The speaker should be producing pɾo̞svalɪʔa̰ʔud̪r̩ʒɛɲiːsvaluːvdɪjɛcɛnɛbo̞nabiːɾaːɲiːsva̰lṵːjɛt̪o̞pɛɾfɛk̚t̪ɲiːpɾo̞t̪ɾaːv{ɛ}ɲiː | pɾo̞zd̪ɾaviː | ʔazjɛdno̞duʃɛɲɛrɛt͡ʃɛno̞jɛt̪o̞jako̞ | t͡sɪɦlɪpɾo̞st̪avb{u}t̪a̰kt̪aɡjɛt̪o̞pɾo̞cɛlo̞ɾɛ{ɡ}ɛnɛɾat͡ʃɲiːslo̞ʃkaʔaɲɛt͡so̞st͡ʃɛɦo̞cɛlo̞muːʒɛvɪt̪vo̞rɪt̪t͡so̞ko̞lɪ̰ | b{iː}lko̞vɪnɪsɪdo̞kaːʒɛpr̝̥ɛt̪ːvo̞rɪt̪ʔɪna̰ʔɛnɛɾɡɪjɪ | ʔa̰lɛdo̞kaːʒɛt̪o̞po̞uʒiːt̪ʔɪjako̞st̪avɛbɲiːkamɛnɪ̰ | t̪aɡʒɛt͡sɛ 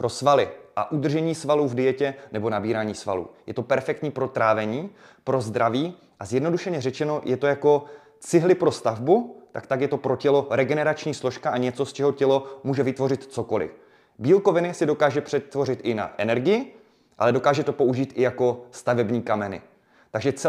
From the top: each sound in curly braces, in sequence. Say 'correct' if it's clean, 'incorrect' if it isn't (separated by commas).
correct, correct, correct, correct